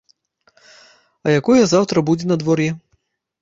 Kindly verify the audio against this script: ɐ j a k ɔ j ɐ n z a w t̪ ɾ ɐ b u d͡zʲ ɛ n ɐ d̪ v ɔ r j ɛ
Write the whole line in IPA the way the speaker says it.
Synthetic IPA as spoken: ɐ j a k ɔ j ɐ z a w t̪ ɾ ɐ b u d͡zʲ ɛ n ɐ d̪ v ɔ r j ɛ